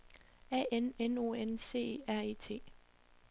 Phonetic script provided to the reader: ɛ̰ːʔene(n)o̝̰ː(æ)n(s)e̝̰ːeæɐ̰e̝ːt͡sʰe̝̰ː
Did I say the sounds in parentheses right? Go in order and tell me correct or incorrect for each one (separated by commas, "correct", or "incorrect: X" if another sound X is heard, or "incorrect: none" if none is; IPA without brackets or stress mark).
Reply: correct, incorrect: e, correct